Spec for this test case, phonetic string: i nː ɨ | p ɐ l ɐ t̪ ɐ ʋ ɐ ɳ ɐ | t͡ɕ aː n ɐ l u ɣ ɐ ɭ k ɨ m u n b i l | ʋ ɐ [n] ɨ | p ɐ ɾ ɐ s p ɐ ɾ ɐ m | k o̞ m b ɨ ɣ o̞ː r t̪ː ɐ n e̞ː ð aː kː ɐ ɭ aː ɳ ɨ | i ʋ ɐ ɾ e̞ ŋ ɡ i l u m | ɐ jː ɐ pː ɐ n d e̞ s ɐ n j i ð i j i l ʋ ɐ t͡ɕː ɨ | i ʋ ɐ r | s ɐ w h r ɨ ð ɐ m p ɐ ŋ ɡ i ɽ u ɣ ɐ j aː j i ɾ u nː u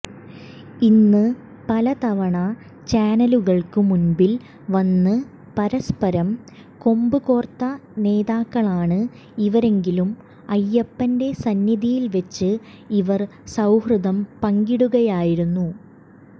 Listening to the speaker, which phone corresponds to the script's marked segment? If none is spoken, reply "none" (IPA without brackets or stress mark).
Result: nː